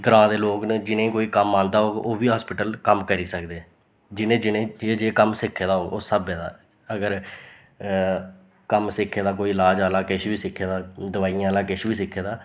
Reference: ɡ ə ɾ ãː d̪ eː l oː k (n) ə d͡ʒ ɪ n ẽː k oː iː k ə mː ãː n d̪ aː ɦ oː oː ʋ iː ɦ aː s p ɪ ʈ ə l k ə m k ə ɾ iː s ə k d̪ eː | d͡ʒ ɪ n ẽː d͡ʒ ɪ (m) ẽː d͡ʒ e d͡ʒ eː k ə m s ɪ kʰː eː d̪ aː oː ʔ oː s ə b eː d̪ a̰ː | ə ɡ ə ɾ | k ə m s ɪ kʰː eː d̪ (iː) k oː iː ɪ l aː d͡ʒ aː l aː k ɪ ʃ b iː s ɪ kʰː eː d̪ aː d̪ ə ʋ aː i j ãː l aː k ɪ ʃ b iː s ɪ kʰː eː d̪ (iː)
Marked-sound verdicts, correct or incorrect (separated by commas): correct, incorrect, incorrect, incorrect